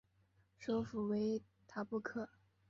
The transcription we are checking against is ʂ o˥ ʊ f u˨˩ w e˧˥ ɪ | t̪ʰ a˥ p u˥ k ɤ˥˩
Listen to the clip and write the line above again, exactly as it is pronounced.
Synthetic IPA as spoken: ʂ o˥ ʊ f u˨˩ w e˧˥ ɪ | t̪ʰ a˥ p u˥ kʰ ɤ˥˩